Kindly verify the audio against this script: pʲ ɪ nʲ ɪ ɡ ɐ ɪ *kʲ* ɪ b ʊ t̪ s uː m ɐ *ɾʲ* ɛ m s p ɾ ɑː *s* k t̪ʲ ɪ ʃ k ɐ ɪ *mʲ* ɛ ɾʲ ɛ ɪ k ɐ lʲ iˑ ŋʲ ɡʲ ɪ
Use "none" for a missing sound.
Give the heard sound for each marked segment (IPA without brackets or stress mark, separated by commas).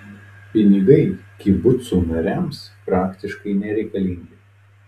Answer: kʲ, ɾʲ, none, nʲ